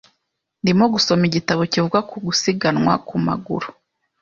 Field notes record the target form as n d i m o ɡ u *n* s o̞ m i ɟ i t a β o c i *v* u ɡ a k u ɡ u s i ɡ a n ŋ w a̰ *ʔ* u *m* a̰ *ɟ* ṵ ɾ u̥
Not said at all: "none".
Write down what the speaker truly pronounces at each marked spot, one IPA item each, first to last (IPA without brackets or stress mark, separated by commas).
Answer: none, v, k, m, ɡ